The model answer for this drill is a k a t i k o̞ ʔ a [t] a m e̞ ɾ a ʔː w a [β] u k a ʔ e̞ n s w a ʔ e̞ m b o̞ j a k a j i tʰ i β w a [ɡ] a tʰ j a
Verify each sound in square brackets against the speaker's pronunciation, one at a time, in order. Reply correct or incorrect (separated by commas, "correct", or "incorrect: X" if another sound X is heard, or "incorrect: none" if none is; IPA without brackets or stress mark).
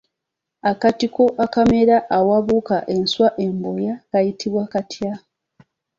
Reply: incorrect: k, correct, incorrect: k